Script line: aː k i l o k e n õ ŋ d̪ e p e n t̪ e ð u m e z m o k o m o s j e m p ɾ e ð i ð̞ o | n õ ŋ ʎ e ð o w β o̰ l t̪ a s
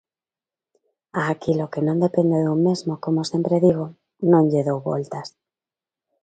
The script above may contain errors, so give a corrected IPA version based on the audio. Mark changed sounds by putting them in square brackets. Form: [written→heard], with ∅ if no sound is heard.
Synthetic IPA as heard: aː k i l o k e n õ [ŋ→n] d̪ e p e n [t̪→d̪] e ð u m e z m o k o m o s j e m p ɾ e ð i [ð̞→ɣ̞] o | n õ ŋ ʎ e ð o w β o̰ l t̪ a s